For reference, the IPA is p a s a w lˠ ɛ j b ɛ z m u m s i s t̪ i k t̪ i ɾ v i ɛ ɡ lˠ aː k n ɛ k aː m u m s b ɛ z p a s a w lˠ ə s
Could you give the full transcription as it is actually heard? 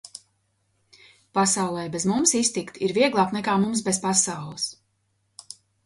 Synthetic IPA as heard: p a s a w lˠ ɛ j b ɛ z m u m s i s t̪ i k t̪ i ɾ v i ɛ ɡ lˠ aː k n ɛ k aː m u m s b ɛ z p a s a w lˠ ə s